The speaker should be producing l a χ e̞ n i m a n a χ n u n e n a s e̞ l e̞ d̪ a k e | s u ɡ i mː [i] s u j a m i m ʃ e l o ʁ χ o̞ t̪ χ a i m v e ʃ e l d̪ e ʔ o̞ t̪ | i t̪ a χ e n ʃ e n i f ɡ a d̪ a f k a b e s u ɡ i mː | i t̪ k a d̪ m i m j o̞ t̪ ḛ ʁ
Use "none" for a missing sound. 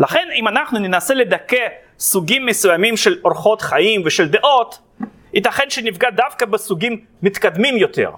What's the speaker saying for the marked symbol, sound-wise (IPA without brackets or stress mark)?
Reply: e